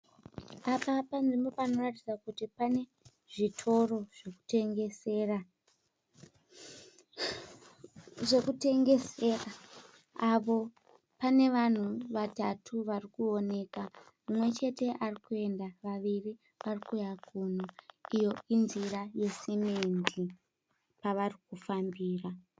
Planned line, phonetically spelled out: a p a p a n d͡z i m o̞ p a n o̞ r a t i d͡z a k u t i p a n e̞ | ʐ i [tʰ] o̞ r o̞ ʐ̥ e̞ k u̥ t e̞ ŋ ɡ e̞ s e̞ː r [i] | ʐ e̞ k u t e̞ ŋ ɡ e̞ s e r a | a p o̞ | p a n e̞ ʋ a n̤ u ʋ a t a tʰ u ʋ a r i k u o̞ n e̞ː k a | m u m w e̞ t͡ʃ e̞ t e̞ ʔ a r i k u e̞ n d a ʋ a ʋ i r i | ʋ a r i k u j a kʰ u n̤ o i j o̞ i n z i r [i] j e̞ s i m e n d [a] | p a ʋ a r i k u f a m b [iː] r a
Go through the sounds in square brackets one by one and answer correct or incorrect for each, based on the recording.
correct, incorrect: a, incorrect: a, incorrect: i, correct

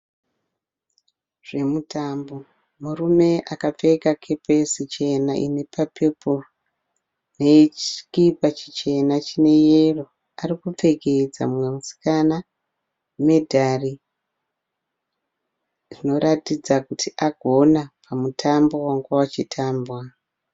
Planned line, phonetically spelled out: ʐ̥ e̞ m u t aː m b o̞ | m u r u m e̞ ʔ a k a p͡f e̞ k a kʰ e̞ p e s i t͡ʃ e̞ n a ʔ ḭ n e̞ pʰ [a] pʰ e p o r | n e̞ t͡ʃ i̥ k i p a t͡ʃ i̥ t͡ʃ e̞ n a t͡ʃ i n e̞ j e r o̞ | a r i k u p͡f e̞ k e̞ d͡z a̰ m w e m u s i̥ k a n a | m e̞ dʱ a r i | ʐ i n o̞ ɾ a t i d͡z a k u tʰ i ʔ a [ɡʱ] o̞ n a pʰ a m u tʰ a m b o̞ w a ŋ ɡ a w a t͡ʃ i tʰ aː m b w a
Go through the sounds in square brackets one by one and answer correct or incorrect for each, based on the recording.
correct, correct

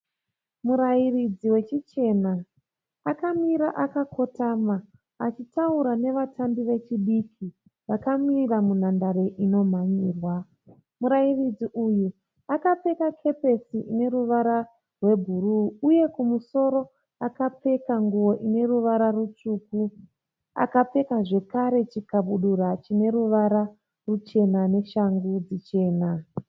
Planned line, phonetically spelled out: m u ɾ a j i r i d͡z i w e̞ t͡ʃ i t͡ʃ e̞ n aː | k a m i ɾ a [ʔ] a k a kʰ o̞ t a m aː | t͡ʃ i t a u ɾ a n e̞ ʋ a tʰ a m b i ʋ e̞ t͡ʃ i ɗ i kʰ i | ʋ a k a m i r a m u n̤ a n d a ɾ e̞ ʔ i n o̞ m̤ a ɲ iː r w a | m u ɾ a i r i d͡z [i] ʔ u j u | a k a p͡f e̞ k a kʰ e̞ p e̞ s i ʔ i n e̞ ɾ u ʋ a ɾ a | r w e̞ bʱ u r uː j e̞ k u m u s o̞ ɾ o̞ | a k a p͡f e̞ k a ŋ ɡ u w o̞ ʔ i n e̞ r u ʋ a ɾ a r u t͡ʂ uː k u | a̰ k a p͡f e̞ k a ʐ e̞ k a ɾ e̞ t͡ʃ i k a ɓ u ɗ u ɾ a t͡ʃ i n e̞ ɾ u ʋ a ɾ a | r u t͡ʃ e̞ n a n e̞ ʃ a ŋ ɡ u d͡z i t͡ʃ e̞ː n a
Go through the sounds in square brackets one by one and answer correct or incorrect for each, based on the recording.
correct, correct

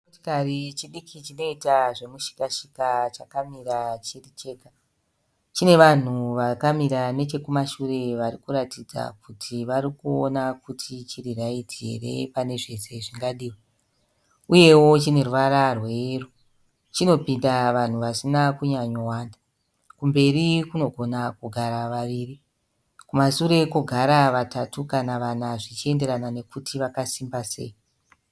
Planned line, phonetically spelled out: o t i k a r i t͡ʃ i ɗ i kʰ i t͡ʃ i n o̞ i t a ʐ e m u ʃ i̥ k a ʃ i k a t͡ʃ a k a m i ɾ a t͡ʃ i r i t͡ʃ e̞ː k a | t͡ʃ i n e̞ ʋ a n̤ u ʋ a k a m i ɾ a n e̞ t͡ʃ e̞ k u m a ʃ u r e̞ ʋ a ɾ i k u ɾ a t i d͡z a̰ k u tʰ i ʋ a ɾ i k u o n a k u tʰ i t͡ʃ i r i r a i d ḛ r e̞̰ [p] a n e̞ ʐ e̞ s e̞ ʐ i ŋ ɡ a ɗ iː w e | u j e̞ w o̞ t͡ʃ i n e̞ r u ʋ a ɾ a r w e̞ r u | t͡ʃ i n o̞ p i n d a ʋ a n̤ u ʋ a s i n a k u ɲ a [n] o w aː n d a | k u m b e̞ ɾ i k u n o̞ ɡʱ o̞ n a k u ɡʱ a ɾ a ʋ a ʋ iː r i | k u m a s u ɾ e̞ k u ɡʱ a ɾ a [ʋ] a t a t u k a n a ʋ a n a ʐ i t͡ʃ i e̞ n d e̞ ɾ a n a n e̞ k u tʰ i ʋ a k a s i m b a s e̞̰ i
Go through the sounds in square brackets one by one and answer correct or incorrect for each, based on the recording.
correct, incorrect: ɲ, correct

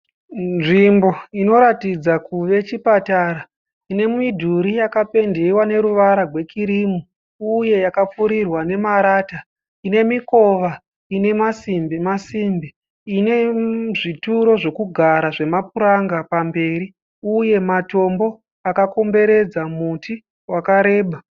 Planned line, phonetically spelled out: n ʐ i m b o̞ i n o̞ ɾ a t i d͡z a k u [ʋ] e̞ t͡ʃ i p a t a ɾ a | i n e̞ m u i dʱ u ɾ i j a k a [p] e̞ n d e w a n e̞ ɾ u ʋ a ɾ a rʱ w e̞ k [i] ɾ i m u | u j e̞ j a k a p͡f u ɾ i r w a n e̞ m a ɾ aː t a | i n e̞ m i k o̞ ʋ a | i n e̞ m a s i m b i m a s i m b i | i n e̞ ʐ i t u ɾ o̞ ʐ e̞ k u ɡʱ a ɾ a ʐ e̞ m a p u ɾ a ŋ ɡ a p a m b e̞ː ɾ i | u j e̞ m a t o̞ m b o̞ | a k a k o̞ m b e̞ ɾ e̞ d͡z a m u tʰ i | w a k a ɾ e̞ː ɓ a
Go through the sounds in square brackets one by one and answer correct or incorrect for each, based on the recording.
correct, correct, correct

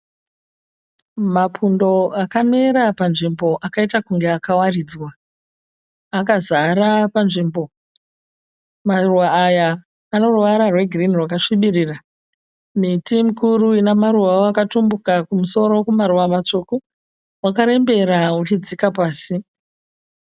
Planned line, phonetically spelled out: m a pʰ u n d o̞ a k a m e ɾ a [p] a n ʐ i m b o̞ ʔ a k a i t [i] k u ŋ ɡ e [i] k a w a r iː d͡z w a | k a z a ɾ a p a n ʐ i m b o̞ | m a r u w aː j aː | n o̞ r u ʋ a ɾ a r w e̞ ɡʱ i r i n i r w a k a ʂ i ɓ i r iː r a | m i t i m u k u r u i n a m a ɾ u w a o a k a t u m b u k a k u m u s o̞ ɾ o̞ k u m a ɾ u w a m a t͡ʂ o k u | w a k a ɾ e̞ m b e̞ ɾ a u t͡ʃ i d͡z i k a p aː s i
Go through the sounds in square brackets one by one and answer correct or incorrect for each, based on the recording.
correct, incorrect: a, incorrect: a

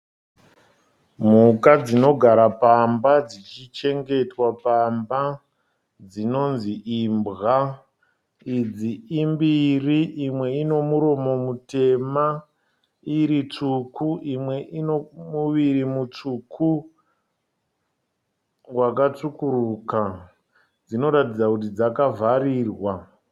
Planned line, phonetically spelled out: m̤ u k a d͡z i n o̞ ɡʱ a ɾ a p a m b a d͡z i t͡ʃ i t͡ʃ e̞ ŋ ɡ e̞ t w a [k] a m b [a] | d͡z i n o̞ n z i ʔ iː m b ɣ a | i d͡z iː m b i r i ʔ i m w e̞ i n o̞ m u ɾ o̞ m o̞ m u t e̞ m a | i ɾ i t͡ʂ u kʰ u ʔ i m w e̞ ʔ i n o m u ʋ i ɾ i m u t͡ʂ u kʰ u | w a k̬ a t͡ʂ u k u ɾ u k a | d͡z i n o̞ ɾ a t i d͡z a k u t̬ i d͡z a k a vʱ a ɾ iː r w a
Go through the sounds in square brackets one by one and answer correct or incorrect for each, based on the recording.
incorrect: p, correct

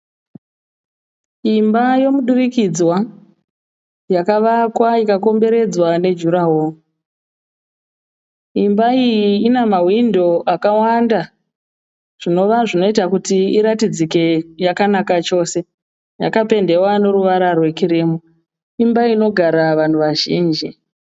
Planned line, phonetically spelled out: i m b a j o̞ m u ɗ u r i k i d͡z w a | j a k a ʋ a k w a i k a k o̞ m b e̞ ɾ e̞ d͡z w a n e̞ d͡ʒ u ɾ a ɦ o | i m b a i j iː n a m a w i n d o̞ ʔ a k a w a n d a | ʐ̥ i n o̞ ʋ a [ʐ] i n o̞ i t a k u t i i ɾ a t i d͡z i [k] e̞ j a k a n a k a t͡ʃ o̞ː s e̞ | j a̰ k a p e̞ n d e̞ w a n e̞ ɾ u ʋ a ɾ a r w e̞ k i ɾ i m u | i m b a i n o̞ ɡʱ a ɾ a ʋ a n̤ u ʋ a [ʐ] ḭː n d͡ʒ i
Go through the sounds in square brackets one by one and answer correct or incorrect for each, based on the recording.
correct, correct, incorrect: ʒ

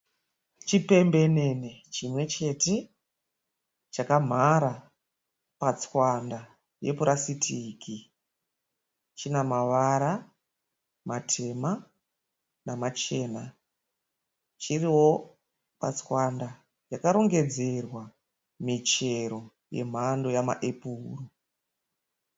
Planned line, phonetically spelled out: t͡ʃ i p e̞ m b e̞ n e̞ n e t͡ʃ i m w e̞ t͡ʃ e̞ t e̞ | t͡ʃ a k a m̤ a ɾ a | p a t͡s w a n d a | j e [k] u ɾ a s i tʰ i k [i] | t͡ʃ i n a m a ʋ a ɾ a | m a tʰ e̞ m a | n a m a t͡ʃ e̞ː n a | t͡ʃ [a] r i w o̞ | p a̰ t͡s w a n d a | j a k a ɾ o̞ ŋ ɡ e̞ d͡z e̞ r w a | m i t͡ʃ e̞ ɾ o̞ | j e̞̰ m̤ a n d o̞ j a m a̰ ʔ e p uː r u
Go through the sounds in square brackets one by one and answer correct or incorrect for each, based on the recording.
incorrect: p, correct, incorrect: i

